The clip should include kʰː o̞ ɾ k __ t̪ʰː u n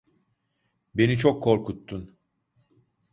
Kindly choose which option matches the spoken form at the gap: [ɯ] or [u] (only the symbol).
u